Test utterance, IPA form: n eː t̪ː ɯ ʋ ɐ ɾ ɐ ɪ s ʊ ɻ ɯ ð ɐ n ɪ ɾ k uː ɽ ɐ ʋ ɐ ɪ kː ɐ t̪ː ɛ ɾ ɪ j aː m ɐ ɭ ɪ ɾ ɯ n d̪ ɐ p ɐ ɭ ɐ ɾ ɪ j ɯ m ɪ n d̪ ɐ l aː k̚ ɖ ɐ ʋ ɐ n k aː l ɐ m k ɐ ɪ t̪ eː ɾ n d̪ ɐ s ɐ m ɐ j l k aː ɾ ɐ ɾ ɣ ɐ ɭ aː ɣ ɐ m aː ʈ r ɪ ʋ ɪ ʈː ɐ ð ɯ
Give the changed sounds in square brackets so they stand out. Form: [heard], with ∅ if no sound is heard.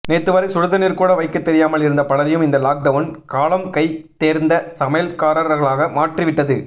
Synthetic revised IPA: n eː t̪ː ɯ ʋ ɐ ɾ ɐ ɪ s ʊ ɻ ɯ ð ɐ n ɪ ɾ k uː ɽ ɐ ʋ ɐ ɪ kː ɐ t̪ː ɛ ɾ ɪ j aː m ɐ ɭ ɪ ɾ ɯ n d̪ ɐ p ɐ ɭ ɐ ɾ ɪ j ɯ m ɪ n d̪ ɐ l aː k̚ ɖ ɐ ʋ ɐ n k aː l ɐ m k ɐ ɪ t̪ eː ɾ n d̪ ɐ s ɐ m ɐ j l k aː ɾ ɐ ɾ ɣ ɐ ɭ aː ɣ ɐ m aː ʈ r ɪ ʋ ɪ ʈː ɐ ð ɯ